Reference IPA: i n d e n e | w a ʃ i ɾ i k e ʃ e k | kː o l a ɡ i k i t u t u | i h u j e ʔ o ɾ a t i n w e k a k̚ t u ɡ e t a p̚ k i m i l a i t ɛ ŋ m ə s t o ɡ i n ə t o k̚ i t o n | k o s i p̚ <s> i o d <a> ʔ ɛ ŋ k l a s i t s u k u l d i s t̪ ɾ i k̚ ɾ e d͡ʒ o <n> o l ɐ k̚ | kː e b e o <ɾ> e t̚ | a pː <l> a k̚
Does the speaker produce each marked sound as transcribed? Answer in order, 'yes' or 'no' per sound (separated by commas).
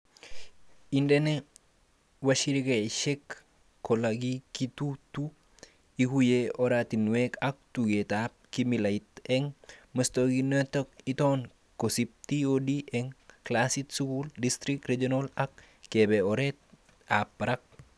no, no, yes, yes, no